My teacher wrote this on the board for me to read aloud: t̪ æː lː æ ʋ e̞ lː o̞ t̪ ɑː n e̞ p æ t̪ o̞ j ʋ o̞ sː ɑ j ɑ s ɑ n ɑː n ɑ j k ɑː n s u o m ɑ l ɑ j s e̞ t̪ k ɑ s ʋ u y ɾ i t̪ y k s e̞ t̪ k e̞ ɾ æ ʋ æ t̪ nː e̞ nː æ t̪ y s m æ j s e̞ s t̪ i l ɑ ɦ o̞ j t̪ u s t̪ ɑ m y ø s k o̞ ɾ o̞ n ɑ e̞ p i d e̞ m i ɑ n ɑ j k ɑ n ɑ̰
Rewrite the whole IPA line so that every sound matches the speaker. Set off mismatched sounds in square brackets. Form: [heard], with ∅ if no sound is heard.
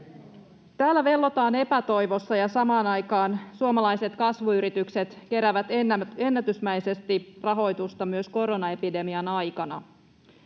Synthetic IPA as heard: t̪ æː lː æ ʋ e̞ lː o̞ t̪ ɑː n e̞ p æ t̪ o̞ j ʋ o̞ sː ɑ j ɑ s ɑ [m] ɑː n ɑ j k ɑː n s u o m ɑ l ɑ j s e̞ t̪ k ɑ s ʋ u y ɾ i t̪ y k s e̞ t̪ k e̞ ɾ æ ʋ æ t̪ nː e̞ nː æ t̪ y s m æ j s e̞ s t̪ i [r] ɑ ɦ o̞ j t̪ u s t̪ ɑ m y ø s k o̞ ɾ o̞ n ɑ e̞ p i d e̞ m i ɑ n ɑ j k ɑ n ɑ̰